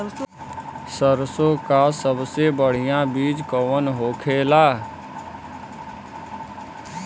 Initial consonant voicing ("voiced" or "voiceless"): voiceless